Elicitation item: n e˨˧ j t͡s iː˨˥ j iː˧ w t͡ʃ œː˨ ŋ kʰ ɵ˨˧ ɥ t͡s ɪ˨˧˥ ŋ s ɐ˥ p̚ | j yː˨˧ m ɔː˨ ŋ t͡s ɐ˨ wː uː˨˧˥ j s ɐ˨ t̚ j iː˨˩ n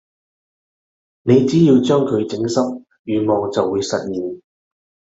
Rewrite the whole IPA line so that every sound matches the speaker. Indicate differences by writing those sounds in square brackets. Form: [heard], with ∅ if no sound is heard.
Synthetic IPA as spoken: n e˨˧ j t͡s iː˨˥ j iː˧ w t͡ʃ [œː˥] ŋ kʰ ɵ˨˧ ɥ t͡s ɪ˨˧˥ ŋ s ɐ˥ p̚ | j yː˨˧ m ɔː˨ ŋ t͡s ɐ˨ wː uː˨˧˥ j s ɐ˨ t̚ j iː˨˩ n